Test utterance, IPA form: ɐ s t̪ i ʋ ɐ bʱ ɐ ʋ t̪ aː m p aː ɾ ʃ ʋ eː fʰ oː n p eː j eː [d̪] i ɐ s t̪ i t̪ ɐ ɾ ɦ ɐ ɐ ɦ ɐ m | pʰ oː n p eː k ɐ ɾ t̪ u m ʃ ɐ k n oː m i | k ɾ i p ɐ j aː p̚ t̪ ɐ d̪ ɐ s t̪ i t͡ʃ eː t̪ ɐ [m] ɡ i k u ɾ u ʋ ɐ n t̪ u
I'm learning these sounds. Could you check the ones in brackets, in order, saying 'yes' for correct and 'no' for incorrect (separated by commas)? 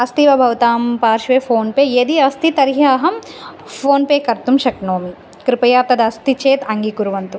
yes, no